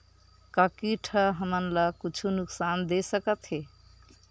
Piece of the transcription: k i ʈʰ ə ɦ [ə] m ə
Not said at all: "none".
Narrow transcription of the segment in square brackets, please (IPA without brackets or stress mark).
ə